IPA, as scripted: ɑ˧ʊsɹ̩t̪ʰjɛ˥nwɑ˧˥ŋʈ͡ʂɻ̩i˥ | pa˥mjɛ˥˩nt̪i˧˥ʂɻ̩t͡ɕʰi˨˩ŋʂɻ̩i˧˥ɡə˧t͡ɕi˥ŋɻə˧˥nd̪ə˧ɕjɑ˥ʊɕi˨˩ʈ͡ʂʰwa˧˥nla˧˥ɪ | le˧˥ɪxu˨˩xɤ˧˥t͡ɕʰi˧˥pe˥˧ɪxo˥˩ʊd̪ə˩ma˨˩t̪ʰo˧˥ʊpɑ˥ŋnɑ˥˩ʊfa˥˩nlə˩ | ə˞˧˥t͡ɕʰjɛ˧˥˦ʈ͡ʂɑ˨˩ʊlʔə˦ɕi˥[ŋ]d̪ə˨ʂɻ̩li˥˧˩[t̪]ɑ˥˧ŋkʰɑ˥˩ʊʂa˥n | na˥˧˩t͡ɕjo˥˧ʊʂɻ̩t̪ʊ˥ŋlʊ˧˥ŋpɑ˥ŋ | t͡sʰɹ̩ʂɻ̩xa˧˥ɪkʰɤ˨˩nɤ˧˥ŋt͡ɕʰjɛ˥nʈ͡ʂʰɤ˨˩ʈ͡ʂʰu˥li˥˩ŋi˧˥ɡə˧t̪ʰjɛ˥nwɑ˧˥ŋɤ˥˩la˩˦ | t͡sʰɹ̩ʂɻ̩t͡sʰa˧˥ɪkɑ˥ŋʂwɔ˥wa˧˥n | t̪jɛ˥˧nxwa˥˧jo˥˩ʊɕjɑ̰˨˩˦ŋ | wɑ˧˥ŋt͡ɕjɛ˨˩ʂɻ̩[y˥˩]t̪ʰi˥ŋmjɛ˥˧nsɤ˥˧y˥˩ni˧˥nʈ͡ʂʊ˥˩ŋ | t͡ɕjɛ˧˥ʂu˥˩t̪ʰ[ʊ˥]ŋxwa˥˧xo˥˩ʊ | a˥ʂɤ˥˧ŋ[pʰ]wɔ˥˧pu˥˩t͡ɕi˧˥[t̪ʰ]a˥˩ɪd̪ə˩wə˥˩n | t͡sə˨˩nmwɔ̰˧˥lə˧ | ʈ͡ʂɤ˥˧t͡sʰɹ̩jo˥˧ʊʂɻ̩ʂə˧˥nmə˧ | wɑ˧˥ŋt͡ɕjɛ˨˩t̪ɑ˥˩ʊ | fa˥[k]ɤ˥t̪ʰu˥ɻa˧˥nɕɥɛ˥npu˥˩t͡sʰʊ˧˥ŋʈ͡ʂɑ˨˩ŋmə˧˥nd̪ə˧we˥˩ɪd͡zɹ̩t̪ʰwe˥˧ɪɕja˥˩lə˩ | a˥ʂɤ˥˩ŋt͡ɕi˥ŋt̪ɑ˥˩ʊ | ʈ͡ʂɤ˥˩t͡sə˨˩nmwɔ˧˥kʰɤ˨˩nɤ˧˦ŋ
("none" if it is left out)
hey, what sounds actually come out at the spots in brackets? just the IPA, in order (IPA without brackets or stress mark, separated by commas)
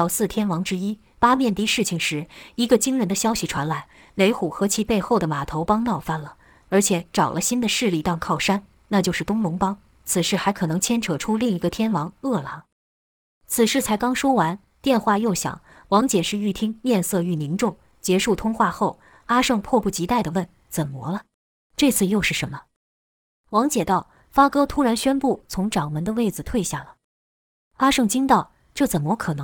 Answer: n, t̪, y˥˩, ʊ˥, pʰ, t̪, k